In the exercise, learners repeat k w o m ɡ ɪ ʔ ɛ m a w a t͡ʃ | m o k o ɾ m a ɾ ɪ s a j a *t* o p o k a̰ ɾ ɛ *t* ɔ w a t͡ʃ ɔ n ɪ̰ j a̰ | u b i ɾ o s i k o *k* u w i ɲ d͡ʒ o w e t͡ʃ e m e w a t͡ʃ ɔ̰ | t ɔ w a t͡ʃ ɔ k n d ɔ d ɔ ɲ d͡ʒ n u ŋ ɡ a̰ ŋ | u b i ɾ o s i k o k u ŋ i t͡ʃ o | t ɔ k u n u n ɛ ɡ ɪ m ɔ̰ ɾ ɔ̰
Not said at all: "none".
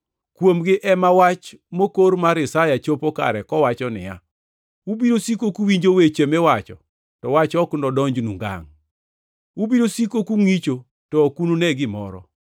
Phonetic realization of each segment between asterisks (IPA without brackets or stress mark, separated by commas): t͡ʃ, k, k